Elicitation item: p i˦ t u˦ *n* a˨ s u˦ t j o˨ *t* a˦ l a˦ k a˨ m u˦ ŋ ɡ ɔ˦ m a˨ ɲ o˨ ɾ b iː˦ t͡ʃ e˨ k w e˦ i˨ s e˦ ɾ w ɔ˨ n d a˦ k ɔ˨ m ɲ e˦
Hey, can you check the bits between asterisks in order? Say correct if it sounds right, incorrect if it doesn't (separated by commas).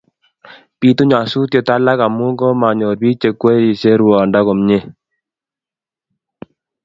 incorrect, correct